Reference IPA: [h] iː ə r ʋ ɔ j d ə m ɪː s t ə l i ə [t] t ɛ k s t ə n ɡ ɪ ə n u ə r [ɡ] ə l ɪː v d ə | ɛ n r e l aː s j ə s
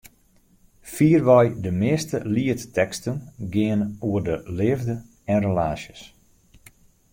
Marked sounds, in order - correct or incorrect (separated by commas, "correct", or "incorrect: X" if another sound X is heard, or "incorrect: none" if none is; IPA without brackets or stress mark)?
incorrect: f, correct, incorrect: d